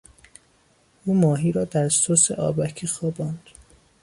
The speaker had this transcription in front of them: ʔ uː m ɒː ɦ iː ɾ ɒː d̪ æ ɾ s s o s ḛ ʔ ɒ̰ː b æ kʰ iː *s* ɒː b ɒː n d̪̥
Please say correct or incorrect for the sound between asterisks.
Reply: incorrect